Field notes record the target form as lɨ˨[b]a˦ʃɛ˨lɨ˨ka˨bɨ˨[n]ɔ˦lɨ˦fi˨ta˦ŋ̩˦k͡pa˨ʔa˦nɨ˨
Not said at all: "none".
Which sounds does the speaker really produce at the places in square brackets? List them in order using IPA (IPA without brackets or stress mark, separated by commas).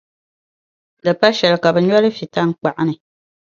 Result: p, ɲ